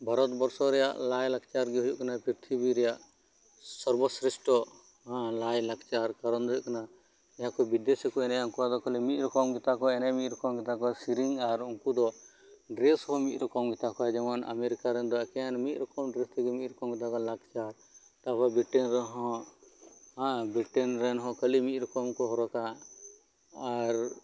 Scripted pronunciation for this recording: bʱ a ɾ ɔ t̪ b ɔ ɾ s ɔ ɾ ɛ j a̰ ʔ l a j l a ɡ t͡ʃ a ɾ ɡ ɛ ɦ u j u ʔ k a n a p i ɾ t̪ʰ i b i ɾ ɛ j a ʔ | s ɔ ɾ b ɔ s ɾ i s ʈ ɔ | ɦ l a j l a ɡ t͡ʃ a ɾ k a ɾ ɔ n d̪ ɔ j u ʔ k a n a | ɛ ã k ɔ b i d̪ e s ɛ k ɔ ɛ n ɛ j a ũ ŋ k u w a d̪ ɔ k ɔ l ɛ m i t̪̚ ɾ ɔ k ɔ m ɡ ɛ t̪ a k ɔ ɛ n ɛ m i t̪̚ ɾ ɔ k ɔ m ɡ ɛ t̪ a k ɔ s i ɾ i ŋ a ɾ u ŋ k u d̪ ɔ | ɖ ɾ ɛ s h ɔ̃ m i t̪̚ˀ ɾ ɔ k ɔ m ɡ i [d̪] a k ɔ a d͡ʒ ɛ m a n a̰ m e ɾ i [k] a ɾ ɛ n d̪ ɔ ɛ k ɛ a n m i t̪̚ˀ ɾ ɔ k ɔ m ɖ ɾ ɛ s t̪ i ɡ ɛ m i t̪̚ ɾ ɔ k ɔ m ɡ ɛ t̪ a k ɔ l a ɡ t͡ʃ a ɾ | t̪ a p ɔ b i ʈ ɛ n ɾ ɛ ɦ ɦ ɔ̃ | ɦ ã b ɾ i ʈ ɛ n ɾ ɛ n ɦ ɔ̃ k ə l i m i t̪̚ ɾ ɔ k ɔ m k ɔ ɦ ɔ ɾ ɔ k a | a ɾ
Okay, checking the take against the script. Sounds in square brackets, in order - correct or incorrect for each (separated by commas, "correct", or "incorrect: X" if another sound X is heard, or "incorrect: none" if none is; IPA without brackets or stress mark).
incorrect: t̪, correct